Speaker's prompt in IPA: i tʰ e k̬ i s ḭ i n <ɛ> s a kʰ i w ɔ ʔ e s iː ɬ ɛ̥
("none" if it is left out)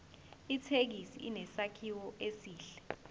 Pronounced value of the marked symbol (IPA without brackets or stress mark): ɛ